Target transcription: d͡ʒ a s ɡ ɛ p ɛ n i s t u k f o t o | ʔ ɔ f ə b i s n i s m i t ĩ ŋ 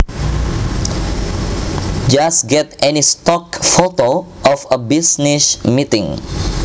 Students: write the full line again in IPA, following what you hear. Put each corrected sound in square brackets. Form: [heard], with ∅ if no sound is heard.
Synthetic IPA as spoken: d͡ʒ a s ɡ ɛ [t] ɛ n i s t [ɔ] k f o t o | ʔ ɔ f ə b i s n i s m i t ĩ ŋ